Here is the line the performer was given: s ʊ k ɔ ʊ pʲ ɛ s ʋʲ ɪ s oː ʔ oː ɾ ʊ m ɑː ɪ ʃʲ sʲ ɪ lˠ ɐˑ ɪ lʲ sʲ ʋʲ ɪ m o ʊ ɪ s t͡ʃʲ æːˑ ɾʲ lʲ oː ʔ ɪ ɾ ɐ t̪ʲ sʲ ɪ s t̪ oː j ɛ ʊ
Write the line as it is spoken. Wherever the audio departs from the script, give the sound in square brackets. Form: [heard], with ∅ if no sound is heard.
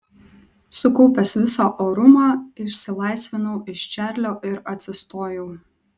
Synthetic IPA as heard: s ʊ k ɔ ʊ pʲ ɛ s ʋʲ ɪ s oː ʔ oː ɾ ʊ m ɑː ɪ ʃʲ sʲ ɪ lˠ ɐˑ ɪ [∅] sʲ ʋʲ ɪ [n] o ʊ ɪ [ʃ] t͡ʃʲ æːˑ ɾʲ lʲ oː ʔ ɪ ɾ ɐ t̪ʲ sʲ ɪ s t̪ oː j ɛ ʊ